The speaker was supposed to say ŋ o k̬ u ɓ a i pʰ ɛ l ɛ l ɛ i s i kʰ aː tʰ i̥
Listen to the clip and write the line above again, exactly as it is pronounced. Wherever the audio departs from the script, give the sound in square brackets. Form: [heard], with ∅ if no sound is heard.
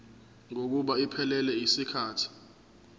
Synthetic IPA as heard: ŋ o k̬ u ɓ a i pʰ ɛ l ɛ l ɛ i s i kʰ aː tʰ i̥